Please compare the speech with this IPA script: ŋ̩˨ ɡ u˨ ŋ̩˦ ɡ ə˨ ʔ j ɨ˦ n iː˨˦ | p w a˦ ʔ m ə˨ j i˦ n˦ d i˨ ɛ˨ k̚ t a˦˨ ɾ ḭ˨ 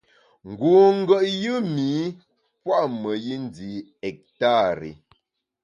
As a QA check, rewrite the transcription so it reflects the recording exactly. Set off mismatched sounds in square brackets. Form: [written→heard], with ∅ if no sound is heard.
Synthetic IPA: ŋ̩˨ ɡ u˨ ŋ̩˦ ɡ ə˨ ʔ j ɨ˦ [n→m] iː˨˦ | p w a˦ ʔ m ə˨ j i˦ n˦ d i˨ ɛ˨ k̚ t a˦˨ ɾ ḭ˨

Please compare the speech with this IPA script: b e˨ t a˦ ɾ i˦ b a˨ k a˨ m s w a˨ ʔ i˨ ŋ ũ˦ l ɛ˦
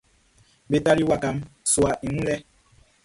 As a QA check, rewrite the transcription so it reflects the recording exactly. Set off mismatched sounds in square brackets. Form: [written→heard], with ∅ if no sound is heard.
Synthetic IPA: b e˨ t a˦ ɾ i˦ [b→w] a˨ k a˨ m s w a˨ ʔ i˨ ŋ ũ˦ l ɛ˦

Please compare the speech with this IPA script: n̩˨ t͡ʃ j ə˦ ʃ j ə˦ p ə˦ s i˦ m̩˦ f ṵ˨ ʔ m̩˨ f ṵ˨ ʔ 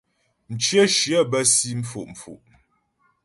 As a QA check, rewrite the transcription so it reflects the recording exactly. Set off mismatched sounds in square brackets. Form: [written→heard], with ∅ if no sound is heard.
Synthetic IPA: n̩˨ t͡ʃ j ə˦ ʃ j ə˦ [p→b] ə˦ s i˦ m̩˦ f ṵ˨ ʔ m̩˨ f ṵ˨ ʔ

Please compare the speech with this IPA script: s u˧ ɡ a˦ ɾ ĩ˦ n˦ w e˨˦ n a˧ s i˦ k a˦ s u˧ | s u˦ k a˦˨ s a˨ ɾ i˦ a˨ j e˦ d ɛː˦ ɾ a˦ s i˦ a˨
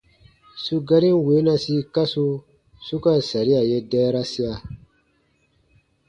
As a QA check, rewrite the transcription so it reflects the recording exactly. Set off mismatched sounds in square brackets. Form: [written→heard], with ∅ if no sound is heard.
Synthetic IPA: s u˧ ɡ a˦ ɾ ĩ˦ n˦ w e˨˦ n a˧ s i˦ k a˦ s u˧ | s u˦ k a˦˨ s a˨ ɾ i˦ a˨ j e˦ d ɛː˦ ɾ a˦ s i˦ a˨

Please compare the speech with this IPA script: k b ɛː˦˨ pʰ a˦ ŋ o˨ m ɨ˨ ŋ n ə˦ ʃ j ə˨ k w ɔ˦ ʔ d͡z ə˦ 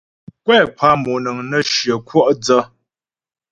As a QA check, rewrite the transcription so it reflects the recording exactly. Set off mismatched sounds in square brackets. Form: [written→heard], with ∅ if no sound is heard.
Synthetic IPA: k [b→w] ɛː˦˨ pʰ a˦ [ŋ→m] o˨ [m→n] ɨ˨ ŋ n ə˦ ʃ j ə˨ k w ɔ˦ ʔ d͡z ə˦

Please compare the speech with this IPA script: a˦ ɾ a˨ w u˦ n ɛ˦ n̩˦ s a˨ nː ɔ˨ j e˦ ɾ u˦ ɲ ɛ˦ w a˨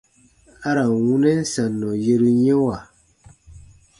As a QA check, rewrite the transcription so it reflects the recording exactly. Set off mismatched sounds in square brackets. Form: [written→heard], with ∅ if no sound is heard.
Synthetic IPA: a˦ ɾ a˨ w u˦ n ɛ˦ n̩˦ s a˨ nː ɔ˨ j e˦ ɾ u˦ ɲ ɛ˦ w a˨

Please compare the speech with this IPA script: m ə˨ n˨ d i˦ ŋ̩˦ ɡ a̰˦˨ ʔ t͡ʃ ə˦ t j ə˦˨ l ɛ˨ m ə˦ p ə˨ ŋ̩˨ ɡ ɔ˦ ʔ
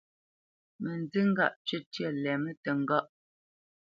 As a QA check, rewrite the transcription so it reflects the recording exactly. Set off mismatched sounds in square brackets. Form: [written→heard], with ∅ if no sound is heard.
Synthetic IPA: m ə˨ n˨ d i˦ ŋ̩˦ ɡ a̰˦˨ ʔ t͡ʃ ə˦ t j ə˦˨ l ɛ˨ m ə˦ [p→t] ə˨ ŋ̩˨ ɡ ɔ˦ ʔ

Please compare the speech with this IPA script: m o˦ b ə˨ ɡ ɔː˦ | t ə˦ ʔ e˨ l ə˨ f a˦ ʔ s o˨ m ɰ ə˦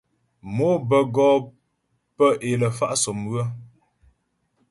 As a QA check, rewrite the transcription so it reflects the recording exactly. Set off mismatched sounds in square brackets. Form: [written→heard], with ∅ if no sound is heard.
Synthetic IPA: m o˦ b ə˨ ɡ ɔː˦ | [t→p] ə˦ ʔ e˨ l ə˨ f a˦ ʔ s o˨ m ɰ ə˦

